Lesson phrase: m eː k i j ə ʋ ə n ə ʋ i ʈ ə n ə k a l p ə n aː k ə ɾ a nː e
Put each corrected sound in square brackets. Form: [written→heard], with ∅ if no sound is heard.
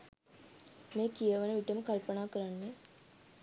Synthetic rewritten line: m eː k i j ə ʋ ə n ə ʋ i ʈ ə [n→m] ə k a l p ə n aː k ə ɾ a nː e